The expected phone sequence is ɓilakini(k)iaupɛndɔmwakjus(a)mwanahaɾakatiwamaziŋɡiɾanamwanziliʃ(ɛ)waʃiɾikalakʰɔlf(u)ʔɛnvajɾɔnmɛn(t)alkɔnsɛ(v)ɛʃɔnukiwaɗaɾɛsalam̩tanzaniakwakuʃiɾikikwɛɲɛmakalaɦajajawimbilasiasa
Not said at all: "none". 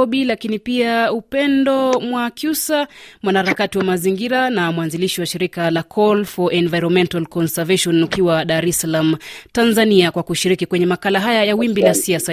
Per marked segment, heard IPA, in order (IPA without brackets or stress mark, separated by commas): p, a, i, ɔ, t, v